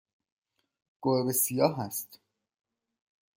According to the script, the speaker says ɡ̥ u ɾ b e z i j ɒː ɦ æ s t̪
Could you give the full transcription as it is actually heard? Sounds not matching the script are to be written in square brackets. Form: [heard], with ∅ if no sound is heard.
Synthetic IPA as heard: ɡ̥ [o] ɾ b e [s] i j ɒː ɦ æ s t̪